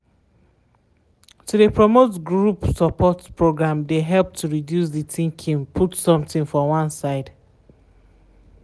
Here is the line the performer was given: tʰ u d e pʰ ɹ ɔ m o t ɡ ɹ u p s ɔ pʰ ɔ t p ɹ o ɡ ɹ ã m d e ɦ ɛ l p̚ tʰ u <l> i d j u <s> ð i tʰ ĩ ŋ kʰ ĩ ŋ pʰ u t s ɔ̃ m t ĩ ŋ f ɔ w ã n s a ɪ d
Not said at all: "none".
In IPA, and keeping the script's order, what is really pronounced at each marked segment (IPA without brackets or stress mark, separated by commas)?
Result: ɹ, s